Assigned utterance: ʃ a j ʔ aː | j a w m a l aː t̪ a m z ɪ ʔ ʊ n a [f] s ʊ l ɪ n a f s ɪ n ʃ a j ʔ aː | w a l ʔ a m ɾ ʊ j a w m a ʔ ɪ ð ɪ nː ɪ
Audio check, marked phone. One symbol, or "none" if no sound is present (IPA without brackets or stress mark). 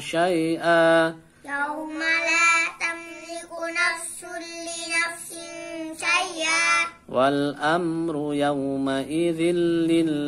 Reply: f